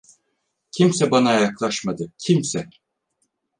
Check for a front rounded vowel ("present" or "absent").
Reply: absent